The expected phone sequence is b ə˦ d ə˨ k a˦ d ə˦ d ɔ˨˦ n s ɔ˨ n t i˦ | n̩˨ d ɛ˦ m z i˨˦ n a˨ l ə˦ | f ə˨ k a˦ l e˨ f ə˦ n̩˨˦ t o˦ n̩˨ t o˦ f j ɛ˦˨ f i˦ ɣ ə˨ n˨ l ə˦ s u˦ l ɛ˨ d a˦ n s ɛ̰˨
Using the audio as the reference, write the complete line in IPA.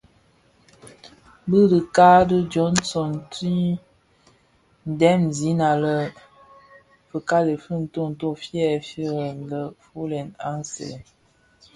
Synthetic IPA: b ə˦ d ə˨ k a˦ d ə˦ d͡ʒ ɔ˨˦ n s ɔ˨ n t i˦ | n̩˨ d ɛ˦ m z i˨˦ n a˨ l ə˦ | f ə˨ k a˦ l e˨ f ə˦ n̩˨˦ t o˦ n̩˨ t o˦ f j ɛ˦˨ f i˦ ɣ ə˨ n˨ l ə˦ f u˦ l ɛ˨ n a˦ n s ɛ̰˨